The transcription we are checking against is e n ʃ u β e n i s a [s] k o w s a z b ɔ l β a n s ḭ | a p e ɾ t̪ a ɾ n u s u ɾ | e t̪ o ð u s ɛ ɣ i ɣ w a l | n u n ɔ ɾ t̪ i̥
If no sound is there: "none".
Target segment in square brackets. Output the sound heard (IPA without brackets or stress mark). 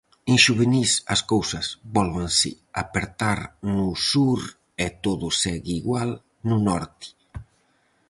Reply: s